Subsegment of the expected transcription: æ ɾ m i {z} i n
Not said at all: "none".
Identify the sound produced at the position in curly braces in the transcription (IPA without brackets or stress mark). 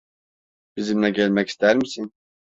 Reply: s